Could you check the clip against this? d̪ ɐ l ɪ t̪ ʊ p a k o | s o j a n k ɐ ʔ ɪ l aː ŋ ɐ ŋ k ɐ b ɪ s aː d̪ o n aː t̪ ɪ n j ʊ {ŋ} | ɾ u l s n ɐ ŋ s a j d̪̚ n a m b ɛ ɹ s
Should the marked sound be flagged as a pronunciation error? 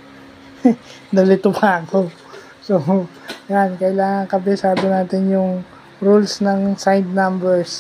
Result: no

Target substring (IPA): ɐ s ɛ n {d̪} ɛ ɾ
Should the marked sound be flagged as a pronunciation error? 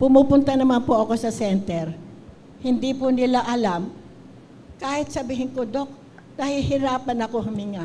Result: yes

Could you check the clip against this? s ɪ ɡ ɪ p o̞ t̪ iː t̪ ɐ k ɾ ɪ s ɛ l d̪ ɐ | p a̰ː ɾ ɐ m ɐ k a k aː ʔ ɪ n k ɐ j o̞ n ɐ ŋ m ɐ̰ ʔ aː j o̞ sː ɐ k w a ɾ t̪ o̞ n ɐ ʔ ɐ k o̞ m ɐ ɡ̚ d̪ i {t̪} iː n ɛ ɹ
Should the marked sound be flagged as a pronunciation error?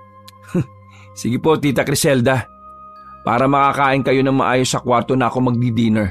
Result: yes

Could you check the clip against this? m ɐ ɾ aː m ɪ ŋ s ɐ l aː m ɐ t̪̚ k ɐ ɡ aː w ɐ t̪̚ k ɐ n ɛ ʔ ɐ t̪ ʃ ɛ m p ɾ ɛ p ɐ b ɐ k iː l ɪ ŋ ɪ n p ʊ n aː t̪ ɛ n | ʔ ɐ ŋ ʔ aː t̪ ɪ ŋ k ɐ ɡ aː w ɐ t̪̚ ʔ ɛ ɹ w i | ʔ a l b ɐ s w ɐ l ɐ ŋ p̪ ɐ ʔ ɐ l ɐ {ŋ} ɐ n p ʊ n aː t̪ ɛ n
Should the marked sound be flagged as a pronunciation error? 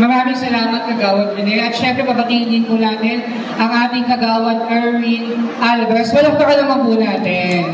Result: yes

